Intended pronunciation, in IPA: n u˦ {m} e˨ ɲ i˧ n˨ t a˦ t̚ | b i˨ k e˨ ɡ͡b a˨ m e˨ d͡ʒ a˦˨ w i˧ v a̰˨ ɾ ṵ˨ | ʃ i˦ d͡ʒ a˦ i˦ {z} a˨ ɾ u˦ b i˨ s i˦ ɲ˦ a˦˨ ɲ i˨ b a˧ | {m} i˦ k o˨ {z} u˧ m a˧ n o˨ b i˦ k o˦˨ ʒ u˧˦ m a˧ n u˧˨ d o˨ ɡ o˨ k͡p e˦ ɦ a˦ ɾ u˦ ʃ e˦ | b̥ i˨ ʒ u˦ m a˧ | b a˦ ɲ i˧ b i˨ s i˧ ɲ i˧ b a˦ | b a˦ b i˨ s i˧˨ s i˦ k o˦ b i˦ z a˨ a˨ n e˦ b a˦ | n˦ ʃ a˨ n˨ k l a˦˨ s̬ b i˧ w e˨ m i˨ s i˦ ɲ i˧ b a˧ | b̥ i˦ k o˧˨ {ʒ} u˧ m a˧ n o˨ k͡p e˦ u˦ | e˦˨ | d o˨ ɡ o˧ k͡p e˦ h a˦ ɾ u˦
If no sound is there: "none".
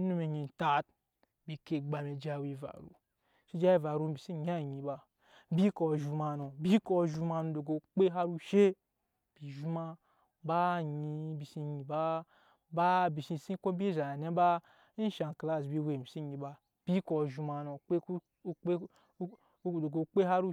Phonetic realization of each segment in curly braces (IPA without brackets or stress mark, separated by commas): m, v, b, ʒ, ʒ